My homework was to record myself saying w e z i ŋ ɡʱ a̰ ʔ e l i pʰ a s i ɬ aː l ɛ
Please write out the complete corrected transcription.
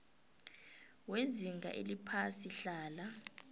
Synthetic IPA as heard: w e z i ŋ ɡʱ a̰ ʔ e l i pʰ a s i ɬ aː l a